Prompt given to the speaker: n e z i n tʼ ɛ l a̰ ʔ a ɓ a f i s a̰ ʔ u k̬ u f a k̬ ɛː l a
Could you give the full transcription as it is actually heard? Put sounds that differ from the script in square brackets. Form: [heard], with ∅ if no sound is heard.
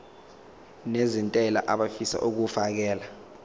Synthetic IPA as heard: n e z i n tʼ ɛ l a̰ ʔ a ɓ a f i s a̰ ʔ u k̬ u f a k̬ ɛː l a